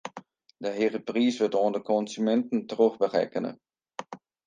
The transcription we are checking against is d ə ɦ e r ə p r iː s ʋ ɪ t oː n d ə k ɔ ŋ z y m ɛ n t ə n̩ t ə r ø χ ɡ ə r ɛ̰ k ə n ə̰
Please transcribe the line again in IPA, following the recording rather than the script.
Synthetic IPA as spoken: d ə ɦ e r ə p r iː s ʋ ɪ t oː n d ə k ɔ n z y m ɛ n t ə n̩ t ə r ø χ b ə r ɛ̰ k ə n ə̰